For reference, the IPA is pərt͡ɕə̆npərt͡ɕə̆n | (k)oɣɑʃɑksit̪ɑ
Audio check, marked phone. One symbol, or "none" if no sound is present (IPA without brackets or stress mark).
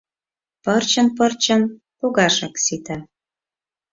p